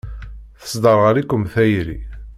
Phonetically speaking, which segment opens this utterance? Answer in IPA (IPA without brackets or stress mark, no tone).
θ